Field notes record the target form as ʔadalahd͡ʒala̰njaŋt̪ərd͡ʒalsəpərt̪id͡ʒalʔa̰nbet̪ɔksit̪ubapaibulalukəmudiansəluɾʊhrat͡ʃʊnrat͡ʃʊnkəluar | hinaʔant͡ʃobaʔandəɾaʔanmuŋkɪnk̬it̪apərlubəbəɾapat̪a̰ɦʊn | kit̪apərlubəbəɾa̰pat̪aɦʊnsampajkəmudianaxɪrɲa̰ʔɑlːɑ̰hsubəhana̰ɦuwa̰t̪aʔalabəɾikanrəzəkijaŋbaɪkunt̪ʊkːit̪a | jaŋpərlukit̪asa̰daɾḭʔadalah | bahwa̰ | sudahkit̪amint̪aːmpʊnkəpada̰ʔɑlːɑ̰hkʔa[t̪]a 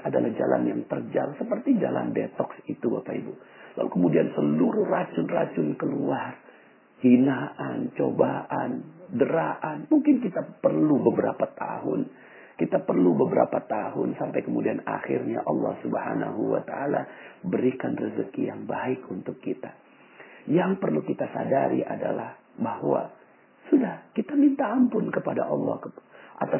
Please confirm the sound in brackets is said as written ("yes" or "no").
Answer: yes